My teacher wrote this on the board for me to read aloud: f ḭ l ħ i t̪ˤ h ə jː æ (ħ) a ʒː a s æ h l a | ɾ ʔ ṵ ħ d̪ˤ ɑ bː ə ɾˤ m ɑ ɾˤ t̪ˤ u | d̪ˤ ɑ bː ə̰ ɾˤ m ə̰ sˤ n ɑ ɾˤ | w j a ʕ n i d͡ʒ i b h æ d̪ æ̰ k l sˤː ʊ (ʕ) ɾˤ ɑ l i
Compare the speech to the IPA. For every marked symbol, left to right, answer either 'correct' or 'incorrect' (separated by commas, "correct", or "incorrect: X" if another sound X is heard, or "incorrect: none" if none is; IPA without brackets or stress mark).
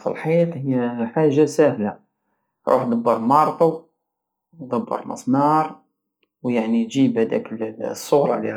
correct, incorrect: ɣ